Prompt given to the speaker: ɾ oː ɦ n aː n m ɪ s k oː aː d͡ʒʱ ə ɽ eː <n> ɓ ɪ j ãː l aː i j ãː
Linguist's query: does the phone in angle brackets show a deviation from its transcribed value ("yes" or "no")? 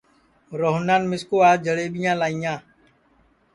yes